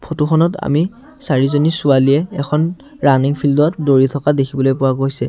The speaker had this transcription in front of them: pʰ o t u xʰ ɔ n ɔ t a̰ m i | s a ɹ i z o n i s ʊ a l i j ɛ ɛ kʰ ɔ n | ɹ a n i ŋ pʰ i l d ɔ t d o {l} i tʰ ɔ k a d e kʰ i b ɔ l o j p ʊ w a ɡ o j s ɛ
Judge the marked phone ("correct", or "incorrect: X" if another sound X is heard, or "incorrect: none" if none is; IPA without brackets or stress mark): incorrect: ɹ